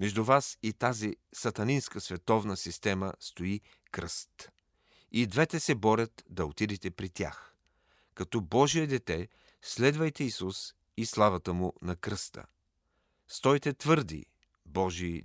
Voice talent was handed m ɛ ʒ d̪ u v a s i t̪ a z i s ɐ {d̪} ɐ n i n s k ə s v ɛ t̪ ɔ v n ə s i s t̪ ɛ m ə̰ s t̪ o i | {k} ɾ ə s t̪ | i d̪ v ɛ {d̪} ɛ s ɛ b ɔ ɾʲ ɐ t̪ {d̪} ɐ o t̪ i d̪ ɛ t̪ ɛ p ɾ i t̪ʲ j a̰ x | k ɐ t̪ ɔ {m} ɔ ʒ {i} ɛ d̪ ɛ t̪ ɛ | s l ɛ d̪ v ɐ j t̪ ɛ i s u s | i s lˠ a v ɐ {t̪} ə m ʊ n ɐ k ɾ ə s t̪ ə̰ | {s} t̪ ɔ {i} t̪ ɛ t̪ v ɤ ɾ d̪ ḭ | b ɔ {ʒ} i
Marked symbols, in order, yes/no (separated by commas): no, yes, no, yes, no, yes, yes, yes, no, yes